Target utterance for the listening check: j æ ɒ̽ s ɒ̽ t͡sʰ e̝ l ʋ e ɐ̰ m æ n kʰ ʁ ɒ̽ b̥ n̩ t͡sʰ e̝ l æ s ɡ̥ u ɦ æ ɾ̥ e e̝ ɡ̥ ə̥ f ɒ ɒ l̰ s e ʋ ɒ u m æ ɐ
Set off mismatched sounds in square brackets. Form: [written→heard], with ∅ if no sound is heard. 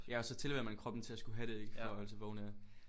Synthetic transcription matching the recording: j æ ɒ̽ s ɒ̽ t͡sʰ e̝ l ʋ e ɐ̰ m æ n kʰ ʁ ɒ̽ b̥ n̩ t͡sʰ e̝ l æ s ɡ̥ u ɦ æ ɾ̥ e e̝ ɡ̥ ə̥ f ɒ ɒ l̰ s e ʋ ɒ u [m→n] æ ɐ